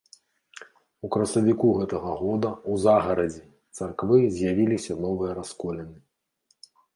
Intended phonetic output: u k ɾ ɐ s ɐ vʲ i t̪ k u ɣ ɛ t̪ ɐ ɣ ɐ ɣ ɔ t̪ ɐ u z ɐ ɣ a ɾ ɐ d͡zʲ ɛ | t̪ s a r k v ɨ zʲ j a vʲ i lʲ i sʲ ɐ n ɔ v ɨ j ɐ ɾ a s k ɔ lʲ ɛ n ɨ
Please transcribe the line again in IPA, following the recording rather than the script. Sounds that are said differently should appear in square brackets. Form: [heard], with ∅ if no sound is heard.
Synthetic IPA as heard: u k ɾ ɐ s ɐ vʲ i [∅] k u ɣ ɛ t̪ ɐ ɣ ɐ ɣ ɔ [d̪] ɐ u z [a] ɣ [ɐ] ɾ ɐ d͡zʲ ɛ | t̪ s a r k v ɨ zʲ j a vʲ i lʲ i sʲ ɐ n ɔ v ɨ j ɐ ɾ a s k ɔ lʲ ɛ n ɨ